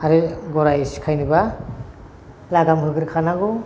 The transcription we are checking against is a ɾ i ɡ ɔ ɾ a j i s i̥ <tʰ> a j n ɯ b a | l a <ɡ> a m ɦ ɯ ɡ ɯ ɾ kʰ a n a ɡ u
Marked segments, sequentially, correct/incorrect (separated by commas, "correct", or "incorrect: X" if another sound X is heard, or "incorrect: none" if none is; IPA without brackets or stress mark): incorrect: kʰ, correct